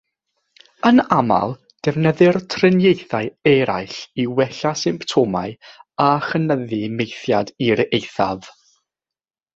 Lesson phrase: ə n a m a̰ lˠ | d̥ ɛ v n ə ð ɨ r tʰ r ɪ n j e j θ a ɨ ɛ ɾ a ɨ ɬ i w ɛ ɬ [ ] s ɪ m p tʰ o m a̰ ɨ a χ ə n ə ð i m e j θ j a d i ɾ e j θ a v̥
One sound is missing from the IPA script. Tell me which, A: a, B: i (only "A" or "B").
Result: A